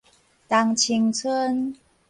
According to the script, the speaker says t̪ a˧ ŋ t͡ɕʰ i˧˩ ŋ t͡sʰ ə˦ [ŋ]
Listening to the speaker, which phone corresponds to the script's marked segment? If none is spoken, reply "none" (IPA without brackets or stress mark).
n